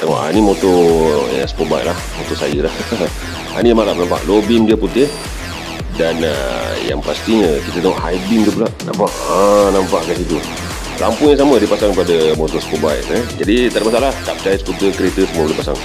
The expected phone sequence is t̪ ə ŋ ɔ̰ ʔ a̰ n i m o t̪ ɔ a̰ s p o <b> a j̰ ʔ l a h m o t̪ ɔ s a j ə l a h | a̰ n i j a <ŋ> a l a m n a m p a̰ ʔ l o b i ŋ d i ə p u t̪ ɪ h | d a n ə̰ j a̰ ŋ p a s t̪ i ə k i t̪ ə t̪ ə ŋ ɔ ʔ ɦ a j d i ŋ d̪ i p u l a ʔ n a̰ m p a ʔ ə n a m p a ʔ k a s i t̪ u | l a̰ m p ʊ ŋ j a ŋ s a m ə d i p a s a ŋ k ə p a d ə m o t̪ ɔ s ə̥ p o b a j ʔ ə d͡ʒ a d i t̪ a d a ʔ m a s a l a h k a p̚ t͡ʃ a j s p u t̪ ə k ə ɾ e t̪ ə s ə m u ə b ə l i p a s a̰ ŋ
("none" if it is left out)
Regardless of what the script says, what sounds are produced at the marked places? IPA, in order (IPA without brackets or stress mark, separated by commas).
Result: b, m